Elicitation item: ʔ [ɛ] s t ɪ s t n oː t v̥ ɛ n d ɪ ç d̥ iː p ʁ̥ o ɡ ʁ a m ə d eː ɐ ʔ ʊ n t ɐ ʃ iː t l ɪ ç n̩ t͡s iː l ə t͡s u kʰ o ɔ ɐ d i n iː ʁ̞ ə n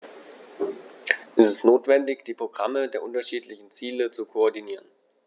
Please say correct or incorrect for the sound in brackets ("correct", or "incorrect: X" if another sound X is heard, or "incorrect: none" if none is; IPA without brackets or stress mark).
correct